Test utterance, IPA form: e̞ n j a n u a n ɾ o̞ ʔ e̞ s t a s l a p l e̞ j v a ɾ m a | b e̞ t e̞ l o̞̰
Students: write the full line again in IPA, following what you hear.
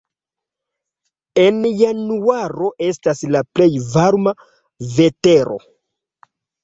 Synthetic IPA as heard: e̞ n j a n u a ɾ o̞ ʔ e̞ s t a s l a p l e̞ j v a ɾ m a | v e̞ t e̞ ɾ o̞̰